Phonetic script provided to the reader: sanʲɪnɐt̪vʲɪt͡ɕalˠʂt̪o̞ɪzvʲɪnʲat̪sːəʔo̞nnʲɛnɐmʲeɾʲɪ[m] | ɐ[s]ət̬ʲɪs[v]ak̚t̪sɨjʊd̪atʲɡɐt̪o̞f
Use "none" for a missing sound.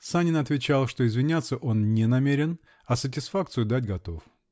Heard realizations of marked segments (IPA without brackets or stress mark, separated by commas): n, s, f